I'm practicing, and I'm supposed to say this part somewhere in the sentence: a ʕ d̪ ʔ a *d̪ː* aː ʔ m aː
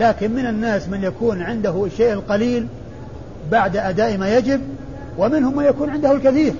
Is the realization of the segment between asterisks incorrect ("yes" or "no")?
yes